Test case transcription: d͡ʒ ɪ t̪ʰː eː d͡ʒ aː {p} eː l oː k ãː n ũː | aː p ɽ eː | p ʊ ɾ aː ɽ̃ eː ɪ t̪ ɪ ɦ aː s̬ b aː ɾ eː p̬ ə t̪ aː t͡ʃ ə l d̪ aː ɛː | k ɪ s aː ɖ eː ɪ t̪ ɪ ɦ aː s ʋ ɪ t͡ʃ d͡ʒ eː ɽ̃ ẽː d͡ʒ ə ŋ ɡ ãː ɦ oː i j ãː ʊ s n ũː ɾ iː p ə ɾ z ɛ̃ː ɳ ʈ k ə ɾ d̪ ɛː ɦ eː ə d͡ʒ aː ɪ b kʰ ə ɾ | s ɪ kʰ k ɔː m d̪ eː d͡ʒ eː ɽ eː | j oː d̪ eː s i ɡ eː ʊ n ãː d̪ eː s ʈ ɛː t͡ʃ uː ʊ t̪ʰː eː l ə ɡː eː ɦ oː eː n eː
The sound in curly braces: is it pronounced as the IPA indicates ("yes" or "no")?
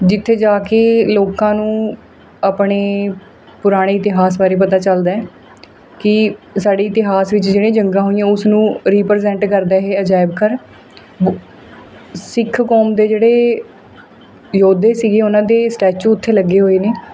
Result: no